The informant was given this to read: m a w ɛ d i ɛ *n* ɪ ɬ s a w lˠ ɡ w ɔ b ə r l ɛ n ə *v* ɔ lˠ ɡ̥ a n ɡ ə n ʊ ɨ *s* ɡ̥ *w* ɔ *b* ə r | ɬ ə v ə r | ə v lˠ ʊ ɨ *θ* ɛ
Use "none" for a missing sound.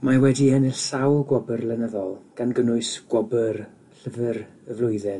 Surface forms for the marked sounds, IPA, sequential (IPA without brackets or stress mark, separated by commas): n, ð, s, w, b, ð